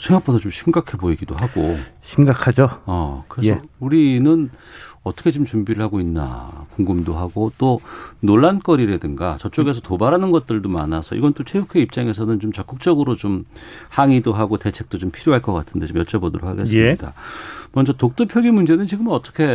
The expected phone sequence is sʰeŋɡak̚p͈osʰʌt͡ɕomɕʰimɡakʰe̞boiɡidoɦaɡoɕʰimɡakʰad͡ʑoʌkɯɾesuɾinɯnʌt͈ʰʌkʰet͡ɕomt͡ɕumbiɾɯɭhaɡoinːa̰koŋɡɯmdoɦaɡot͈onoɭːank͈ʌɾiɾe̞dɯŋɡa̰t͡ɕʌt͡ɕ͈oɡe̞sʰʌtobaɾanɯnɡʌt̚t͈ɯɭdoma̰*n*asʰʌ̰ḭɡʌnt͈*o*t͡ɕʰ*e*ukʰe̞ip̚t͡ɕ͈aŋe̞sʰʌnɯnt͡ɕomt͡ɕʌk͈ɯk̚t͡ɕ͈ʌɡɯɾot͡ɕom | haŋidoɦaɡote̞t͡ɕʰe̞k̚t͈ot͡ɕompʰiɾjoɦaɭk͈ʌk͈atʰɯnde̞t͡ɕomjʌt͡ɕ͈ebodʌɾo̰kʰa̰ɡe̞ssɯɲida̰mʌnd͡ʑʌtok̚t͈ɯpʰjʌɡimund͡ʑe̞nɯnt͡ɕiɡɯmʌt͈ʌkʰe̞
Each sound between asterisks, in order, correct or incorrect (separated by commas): correct, correct, correct